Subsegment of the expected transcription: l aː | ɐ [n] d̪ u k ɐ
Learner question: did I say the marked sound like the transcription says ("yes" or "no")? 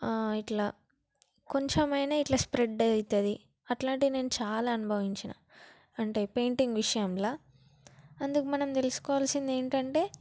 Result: yes